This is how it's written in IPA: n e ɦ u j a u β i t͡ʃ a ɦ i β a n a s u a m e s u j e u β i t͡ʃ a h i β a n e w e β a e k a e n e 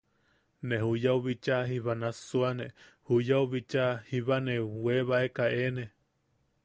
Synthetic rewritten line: n e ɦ u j a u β i t͡ʃ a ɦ i β a n a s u a n e h u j a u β i t͡ʃ a h i β a n e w e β a e k a e n e